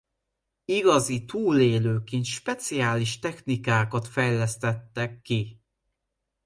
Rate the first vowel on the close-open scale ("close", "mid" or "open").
close